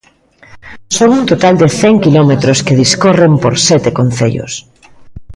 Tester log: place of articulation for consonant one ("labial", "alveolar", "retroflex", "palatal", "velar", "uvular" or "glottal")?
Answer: alveolar